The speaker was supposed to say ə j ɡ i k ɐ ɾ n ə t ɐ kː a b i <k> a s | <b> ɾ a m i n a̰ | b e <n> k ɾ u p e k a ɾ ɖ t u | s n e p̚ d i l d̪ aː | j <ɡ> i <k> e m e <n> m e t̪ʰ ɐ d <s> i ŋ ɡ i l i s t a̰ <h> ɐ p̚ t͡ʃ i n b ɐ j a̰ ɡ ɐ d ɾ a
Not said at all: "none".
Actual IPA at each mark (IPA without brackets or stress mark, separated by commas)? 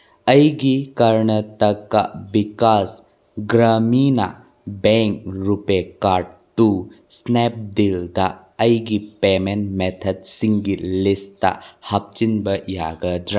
k, ɡ, ŋ, ɡ, p, n, s, h